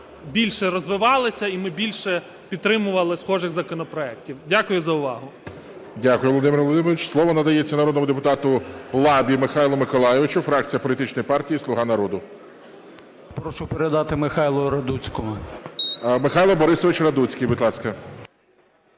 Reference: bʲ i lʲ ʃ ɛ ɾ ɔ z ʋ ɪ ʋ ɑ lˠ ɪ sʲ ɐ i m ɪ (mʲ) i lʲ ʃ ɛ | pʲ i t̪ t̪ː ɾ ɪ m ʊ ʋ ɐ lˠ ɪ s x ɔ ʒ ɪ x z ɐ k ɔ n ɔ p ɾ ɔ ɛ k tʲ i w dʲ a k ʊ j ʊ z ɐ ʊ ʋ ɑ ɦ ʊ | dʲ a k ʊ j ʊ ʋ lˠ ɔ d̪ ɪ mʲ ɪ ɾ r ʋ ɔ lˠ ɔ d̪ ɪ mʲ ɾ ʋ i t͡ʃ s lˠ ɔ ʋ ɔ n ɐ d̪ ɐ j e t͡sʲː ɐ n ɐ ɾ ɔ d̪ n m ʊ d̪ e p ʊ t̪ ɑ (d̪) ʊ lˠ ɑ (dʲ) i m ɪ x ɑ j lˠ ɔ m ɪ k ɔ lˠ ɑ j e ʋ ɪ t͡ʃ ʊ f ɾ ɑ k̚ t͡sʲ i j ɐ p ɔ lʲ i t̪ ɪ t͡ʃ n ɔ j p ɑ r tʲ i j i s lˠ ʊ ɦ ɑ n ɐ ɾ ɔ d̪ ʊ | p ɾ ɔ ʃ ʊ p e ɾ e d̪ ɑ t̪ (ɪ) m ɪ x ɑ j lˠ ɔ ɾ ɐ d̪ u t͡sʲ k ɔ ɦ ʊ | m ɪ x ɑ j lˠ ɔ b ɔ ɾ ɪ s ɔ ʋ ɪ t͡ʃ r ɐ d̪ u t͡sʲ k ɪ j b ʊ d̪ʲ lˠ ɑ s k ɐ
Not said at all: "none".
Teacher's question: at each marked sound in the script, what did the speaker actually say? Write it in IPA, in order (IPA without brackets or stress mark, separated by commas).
bʲ, t̪, bʲ, ɪ